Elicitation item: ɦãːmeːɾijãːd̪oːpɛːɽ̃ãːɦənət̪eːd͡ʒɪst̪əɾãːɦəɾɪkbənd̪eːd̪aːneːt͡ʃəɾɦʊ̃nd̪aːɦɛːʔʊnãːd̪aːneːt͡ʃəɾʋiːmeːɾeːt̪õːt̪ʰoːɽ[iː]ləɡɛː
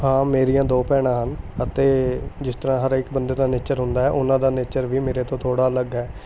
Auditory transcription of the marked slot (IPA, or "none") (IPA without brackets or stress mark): aː